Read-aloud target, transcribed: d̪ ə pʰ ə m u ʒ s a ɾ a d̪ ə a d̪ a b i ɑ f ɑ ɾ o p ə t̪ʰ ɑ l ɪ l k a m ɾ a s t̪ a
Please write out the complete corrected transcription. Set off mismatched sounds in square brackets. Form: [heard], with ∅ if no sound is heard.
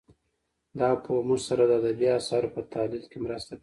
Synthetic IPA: d̪ [ɑ] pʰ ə m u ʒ s a ɾ a d̪ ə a d̪ a b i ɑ [s] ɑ ɾ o p ə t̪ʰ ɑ l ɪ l k [e] m ɾ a s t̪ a